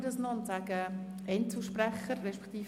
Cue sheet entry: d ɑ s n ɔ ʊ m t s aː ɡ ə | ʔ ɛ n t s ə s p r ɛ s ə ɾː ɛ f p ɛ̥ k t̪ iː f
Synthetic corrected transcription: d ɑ s n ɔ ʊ n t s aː ɡ ə | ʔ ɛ n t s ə ʃ p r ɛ χ ə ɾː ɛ ʃ p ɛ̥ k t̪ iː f